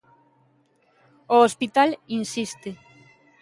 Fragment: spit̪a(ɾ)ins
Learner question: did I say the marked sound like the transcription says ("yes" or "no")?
no